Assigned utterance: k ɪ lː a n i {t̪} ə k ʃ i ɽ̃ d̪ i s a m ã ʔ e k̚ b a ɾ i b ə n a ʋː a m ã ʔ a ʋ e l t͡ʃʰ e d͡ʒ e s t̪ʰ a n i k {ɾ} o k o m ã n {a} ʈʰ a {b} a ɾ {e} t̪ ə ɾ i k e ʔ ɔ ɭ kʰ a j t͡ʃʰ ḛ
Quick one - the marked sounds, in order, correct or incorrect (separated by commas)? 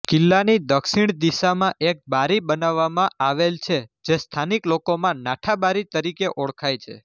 incorrect, incorrect, correct, correct, incorrect